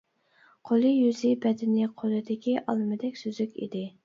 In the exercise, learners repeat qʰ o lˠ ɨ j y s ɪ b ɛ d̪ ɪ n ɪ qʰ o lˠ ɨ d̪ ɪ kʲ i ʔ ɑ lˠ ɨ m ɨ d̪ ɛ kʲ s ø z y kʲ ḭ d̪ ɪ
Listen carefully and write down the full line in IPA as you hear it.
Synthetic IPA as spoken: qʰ o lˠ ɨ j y z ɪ b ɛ d̪ ɪ n ɪ qʰ o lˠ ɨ d̪ ɪ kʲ i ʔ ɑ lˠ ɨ m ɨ d̪ ɛ kʲ s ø z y kʲ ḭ d̪ ɪ